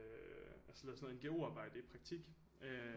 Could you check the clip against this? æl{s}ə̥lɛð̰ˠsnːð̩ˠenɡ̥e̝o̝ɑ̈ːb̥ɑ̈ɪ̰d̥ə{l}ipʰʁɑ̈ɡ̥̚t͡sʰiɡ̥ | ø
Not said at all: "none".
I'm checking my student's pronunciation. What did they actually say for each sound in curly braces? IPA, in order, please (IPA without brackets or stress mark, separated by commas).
s, none